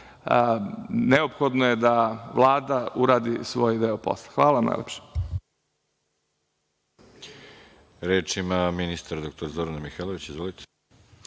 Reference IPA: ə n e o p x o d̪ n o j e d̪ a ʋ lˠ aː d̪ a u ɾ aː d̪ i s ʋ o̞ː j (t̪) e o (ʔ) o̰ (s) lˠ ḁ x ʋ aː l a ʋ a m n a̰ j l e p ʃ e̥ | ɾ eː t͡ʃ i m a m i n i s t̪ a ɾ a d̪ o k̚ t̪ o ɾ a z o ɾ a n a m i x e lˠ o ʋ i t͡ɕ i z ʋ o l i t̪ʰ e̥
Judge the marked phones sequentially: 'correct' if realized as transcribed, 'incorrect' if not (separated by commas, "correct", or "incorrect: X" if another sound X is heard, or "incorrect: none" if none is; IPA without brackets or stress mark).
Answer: incorrect: d̪, incorrect: p, correct